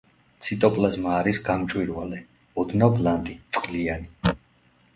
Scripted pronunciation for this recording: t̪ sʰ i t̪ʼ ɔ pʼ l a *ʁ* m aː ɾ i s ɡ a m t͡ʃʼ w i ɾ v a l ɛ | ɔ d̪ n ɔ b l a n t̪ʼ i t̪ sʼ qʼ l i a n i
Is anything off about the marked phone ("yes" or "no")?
yes